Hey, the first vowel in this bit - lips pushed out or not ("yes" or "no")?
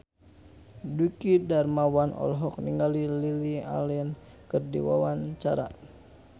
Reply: yes